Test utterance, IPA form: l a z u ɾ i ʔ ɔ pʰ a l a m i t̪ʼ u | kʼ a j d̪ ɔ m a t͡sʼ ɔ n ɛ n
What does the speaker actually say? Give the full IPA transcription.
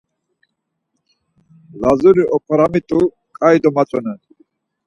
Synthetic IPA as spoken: l a z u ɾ i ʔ ɔ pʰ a ɾ a m i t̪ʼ u | kʼ a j d̪ ɔ m a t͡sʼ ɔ n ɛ n